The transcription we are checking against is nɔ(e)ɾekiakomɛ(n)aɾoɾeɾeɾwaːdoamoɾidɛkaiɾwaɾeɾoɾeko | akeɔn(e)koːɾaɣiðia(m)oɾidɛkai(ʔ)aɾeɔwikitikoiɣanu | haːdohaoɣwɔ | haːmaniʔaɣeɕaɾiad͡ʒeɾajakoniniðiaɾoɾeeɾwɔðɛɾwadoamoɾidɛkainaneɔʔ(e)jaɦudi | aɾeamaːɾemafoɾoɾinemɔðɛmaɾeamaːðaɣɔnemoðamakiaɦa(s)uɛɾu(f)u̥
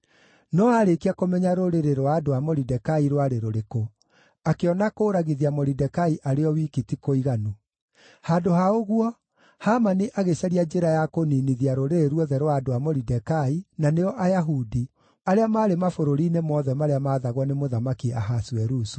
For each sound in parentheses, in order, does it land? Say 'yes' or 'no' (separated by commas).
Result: no, no, no, yes, yes, no, yes, no